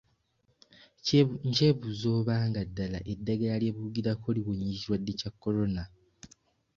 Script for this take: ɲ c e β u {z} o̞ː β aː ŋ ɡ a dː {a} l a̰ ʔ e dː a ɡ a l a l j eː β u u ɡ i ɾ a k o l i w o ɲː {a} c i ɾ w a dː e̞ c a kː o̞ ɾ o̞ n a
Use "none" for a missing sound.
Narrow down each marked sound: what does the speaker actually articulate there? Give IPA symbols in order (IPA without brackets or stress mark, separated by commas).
z, a, i